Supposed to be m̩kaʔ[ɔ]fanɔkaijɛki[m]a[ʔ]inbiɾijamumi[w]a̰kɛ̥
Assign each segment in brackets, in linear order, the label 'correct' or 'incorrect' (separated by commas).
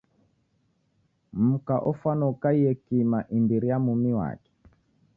correct, correct, correct, correct